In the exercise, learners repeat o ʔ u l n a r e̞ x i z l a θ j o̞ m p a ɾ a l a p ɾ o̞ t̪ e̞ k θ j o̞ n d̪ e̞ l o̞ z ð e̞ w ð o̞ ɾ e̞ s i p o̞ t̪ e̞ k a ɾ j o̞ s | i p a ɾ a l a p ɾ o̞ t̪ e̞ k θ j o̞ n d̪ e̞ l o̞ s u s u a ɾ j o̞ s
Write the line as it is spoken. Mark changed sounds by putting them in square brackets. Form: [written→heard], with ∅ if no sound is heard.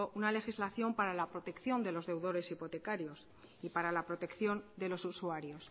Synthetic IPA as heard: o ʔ u [l→∅] n a [r→l] e̞ x i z l a θ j o̞ m p a ɾ a l a p ɾ o̞ t̪ e̞ k θ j o̞ n d̪ e̞ l o̞ z ð e̞ w ð o̞ ɾ e̞ s i p o̞ t̪ e̞ k a ɾ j o̞ s | i p a ɾ a l a p ɾ o̞ t̪ e̞ k θ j o̞ n d̪ e̞ l o̞ s u s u a ɾ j o̞ s